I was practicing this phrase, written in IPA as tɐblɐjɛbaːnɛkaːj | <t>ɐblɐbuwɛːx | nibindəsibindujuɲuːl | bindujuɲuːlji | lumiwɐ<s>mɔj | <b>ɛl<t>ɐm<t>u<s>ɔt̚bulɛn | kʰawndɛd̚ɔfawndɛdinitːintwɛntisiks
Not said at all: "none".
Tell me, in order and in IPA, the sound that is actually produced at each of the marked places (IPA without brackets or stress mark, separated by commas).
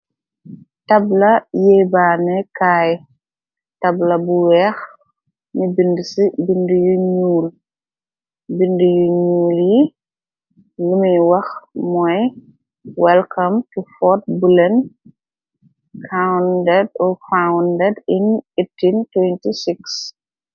t, x, w, k, t, f